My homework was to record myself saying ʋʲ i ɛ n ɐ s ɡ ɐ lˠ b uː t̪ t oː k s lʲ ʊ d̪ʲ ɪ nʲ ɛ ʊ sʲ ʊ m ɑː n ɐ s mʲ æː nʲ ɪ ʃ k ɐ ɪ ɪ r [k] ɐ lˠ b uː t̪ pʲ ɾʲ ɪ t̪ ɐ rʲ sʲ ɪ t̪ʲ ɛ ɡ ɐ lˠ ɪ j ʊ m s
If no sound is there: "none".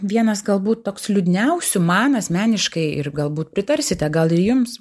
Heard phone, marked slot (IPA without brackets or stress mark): ɡ